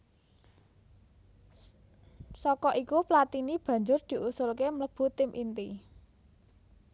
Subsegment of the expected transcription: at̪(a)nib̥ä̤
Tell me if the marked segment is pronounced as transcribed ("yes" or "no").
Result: no